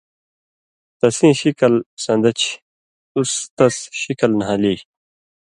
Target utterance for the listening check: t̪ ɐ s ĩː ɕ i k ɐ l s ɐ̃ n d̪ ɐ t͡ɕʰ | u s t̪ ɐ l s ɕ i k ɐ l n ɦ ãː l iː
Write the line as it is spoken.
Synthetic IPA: t̪ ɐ s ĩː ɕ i k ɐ l s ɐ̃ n d̪ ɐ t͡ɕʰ | u s t̪ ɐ s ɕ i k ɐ l n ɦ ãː l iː